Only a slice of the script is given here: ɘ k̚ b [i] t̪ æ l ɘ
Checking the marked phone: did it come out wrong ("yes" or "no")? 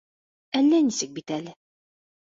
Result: no